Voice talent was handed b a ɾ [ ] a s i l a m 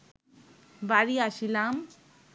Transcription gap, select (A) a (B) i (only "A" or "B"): B